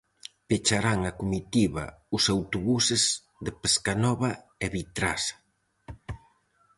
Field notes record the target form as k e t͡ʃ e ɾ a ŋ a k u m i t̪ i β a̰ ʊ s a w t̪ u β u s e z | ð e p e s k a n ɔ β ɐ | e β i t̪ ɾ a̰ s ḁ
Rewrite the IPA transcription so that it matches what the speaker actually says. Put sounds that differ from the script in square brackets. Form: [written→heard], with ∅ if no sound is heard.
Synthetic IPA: [k→p] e t͡ʃ [e→a] ɾ a ŋ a k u m i t̪ i β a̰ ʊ s a w t̪ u β u s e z | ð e p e s k a n ɔ β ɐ | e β i t̪ ɾ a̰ s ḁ